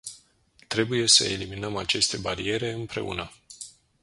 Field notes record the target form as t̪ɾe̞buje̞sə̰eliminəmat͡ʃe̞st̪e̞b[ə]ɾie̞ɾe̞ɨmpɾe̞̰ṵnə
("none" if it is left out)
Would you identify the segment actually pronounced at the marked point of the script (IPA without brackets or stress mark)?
a